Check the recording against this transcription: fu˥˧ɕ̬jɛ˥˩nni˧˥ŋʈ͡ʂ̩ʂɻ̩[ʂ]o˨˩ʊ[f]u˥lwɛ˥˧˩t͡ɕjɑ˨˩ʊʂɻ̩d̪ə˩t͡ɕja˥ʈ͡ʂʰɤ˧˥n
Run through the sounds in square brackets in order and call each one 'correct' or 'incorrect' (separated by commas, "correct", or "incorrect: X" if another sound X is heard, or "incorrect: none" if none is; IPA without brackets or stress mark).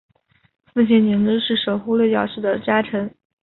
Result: correct, incorrect: x